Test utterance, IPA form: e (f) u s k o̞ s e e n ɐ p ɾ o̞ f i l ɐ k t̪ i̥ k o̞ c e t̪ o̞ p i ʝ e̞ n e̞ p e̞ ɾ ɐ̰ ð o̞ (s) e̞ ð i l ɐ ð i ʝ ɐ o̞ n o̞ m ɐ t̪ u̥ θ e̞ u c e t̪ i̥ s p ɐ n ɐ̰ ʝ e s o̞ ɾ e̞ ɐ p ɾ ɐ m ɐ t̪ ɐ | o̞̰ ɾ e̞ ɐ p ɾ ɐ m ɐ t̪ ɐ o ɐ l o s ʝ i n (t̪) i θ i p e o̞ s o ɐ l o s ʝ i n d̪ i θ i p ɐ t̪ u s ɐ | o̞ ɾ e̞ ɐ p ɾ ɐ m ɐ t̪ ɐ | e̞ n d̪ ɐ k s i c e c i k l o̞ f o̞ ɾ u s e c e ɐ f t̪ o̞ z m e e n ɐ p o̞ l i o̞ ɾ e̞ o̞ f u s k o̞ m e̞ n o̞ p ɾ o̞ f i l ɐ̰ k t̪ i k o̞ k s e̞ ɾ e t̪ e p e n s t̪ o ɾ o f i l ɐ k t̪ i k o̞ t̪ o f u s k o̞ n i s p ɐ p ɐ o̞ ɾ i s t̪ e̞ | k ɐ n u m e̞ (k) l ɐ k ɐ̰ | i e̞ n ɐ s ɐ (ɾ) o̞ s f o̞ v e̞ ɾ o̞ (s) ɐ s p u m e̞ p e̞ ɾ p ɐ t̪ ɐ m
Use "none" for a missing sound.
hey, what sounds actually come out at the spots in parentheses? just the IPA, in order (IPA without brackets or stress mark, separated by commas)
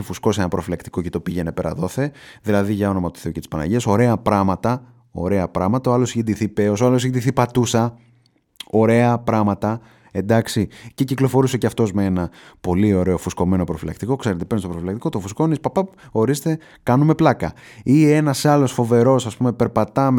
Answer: f, θ, d̪, p, l, s